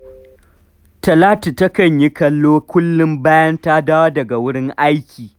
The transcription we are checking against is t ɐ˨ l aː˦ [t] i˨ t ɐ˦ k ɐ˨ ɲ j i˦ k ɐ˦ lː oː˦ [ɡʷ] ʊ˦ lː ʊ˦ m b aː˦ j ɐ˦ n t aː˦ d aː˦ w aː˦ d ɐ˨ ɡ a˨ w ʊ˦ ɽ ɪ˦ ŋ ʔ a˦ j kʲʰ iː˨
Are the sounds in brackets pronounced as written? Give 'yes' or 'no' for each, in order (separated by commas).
yes, no